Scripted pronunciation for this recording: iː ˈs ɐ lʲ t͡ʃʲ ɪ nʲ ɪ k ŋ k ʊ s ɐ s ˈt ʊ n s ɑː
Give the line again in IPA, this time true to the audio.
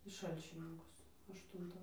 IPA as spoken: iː ˈʃ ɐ lʲ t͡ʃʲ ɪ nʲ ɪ ŋ k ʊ s ɐ ʃ ˈt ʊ n t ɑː